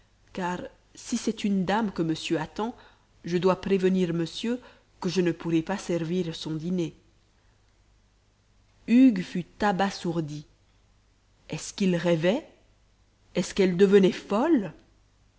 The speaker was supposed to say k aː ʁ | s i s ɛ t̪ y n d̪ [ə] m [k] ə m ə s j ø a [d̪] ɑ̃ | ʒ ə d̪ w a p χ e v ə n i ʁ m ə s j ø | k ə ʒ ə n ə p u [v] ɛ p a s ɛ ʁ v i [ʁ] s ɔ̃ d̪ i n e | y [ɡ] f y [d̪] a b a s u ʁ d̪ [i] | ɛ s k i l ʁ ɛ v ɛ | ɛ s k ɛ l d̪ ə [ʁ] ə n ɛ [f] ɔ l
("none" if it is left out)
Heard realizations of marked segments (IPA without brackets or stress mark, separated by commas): a, k, t̪, ʁ, ʁ, ɡ, t̪, i, v, f